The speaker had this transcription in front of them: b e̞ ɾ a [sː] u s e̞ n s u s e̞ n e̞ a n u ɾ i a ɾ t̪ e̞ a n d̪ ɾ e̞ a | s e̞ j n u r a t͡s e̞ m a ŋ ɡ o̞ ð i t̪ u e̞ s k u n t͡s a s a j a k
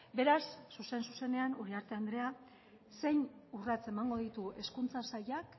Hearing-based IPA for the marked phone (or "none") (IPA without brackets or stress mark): sː